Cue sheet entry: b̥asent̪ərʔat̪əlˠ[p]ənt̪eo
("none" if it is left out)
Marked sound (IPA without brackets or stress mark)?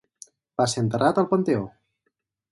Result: p